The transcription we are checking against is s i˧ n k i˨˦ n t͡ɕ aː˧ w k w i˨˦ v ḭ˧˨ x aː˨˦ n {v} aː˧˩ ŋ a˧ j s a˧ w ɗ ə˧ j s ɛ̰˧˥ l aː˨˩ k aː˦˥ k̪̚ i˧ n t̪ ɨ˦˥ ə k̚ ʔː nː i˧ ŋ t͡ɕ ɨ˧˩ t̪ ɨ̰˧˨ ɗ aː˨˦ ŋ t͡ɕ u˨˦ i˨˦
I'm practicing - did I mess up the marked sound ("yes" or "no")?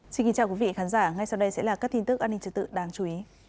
yes